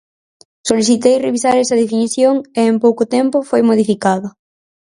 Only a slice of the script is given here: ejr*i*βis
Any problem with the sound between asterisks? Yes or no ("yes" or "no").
yes